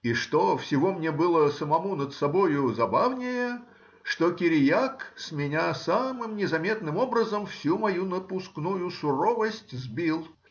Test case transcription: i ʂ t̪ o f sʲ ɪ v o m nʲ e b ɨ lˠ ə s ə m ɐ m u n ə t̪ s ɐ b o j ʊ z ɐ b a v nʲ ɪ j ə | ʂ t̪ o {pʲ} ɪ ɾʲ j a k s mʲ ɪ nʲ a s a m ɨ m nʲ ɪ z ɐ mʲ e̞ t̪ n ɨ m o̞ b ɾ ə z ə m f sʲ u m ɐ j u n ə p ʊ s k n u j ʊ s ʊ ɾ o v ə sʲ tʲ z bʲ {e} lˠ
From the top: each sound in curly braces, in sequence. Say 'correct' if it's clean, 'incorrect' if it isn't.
incorrect: kʲ, incorrect: i

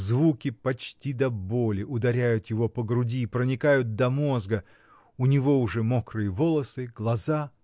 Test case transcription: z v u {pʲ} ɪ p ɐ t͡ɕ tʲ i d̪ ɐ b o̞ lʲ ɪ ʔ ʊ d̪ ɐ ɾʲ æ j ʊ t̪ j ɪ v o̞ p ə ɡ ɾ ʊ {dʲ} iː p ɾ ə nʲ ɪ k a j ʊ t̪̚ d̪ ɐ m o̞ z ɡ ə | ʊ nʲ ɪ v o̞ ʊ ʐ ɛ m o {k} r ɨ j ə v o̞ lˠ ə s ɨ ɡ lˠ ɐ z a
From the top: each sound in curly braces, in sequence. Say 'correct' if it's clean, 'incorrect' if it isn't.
incorrect: kʲ, correct, correct

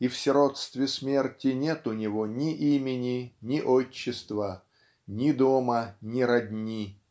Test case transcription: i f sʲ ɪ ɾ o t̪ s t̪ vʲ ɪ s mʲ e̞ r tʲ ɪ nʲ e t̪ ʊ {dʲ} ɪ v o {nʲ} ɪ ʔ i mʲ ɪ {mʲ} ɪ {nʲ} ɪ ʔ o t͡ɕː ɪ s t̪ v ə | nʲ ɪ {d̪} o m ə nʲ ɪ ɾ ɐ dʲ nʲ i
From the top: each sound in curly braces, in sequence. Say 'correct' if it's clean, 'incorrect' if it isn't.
incorrect: nʲ, correct, incorrect: nʲ, correct, correct

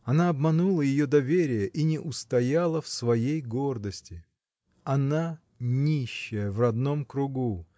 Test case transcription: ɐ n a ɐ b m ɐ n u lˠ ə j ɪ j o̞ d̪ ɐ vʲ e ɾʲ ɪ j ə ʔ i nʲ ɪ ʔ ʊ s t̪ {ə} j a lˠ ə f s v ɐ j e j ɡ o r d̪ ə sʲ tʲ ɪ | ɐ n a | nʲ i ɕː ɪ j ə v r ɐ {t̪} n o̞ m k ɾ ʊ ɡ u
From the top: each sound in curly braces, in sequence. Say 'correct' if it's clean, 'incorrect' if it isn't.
incorrect: ɐ, incorrect: d̪

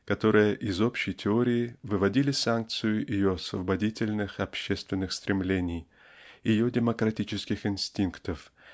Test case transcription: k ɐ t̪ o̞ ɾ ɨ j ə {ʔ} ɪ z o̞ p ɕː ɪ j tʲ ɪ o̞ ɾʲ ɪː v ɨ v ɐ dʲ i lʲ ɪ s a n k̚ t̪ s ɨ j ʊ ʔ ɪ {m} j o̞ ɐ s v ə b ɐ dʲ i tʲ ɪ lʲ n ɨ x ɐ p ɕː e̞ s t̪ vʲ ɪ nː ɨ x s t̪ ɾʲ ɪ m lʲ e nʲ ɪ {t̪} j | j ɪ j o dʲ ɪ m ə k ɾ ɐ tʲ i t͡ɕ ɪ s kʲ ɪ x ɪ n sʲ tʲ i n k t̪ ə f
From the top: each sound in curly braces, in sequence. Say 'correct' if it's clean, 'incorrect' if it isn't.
correct, incorrect: none, incorrect: none

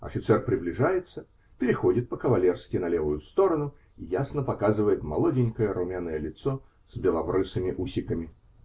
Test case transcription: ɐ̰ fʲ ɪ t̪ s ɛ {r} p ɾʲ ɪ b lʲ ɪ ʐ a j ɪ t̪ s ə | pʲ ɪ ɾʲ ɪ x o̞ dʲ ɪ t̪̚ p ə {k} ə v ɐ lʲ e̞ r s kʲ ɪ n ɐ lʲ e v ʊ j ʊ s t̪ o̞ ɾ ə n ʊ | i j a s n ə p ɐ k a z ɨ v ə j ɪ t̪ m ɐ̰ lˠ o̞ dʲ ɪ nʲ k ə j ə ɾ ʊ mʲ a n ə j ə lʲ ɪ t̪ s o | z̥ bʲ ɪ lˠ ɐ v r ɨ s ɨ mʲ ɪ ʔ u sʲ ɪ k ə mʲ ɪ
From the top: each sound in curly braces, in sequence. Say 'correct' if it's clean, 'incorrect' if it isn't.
correct, correct

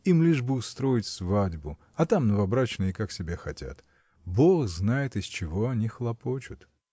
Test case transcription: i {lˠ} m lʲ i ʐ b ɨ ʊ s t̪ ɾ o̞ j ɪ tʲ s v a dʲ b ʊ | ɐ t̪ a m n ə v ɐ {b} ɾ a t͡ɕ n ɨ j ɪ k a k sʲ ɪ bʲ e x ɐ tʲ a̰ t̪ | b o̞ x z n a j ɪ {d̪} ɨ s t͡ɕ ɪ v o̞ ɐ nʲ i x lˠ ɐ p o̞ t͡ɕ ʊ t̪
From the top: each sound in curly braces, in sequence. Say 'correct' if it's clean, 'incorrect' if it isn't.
incorrect: none, correct, incorrect: t̪

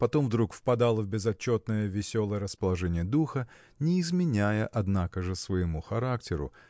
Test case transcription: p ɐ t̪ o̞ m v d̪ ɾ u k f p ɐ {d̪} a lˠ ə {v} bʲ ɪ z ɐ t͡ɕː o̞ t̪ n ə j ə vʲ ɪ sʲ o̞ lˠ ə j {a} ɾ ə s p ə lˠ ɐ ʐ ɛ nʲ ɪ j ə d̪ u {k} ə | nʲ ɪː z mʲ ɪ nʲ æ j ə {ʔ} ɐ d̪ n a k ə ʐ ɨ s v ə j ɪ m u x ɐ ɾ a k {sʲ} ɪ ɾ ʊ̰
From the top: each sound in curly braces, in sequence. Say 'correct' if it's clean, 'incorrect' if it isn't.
correct, correct, incorrect: ə, incorrect: x, correct, incorrect: tʲ

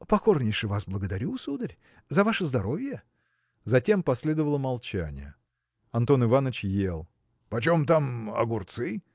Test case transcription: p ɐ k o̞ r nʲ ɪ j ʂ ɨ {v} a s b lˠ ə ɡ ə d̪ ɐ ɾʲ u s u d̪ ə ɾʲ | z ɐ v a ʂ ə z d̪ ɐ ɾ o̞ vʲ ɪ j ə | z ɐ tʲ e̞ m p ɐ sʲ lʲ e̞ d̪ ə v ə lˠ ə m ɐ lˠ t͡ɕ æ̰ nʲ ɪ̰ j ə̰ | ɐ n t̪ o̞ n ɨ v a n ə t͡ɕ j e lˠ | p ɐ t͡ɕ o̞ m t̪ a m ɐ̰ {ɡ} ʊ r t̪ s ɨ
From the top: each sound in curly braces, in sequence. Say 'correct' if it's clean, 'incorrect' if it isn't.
correct, correct

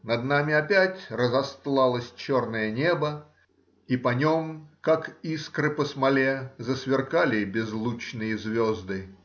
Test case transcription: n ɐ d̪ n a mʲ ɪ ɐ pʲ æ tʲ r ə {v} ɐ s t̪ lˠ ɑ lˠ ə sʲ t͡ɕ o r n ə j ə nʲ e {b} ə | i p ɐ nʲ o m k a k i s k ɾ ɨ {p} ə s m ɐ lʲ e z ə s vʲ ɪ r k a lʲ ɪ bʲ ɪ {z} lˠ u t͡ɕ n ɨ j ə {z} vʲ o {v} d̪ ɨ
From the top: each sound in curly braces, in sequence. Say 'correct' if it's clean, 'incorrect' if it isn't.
incorrect: z, correct, correct, correct, correct, incorrect: z

